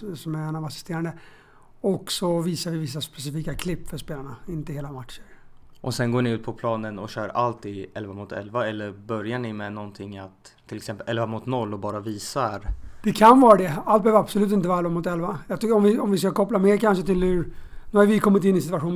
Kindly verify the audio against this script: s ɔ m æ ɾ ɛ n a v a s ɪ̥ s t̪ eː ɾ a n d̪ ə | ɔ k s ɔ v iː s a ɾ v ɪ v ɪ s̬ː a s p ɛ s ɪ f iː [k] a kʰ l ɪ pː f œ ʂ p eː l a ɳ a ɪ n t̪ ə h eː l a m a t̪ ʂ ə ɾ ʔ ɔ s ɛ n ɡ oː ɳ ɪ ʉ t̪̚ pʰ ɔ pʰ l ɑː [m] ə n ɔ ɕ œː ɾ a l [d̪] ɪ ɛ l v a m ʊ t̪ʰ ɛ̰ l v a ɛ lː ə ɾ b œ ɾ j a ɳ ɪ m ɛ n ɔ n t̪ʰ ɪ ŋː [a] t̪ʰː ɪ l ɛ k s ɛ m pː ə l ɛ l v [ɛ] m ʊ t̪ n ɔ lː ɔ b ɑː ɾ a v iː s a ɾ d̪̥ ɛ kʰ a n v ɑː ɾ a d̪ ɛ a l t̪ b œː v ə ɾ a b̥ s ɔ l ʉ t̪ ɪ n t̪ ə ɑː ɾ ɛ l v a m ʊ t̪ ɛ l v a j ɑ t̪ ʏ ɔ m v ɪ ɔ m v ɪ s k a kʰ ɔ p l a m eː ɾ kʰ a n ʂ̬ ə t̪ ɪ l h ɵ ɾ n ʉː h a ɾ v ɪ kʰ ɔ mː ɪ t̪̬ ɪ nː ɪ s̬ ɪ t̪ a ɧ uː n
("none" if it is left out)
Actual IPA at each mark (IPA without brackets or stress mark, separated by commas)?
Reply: k, n, t̪, a, a